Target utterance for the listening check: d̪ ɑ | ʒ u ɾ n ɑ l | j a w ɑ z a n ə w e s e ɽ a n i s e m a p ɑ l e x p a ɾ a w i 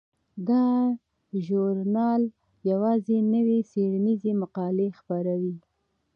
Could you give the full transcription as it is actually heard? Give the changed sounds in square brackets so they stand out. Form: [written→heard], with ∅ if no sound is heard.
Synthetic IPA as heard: d̪ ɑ | ʒ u ɾ n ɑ l | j a w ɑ z [a→e] n ə w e s e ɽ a n i [s→z] e m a [p→q] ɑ l e x p a ɾ a w i